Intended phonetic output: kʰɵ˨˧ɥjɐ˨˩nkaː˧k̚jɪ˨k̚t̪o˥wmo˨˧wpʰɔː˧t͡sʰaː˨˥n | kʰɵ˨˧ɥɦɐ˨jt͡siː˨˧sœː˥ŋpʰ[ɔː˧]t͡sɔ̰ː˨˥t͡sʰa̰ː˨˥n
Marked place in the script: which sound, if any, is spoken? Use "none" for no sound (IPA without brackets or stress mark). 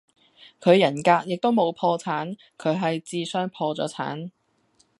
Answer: ɔː˧